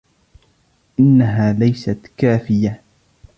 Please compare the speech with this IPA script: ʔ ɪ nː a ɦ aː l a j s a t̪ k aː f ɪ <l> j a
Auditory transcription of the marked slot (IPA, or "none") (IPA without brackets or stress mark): none